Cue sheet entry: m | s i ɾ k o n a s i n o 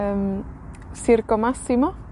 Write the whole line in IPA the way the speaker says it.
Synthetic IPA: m | s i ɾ k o m a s i m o